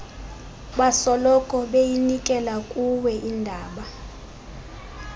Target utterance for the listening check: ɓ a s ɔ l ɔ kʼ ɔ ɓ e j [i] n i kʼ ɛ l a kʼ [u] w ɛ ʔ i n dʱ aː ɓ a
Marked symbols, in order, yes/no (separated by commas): yes, yes